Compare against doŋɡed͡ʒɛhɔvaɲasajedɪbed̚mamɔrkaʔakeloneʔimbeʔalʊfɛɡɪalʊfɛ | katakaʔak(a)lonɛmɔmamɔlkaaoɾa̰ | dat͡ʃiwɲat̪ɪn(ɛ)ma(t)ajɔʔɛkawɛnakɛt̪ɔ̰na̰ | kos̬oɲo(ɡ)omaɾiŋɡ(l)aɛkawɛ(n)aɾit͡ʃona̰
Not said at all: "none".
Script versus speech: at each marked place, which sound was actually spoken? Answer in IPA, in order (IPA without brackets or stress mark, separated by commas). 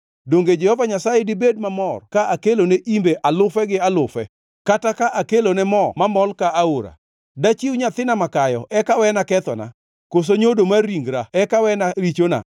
e, a, k, d, ɾ, n